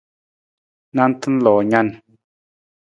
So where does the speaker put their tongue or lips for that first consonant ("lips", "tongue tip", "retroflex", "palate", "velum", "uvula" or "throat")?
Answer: tongue tip